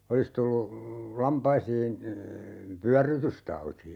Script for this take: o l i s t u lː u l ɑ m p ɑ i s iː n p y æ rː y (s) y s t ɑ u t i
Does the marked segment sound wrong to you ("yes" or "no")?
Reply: yes